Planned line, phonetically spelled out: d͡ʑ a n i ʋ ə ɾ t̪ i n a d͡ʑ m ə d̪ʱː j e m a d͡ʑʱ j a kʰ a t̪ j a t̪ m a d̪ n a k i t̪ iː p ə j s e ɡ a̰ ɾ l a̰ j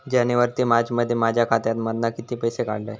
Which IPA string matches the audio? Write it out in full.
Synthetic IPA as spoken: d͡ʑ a n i ʋ ə ɾ t̪ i m a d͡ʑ m ə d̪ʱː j e m a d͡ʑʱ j a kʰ a t̪ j a t̪ m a d̪ n a k i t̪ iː p ə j s e k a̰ ɽ l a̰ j